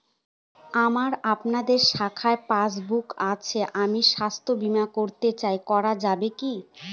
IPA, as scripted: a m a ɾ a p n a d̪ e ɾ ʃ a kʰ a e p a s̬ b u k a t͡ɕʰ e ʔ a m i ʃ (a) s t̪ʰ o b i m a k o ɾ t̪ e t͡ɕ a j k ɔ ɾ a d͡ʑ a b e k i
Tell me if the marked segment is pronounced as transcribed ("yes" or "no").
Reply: yes